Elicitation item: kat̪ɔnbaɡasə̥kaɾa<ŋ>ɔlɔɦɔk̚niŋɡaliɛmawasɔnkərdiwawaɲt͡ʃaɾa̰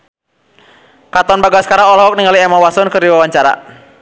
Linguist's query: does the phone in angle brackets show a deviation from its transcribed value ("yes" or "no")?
no